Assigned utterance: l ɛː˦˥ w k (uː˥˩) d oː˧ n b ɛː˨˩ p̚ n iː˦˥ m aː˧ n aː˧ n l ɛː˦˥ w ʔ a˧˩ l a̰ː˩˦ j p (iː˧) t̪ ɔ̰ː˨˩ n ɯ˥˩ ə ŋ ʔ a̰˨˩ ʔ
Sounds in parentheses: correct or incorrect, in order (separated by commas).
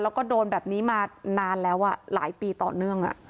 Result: incorrect, correct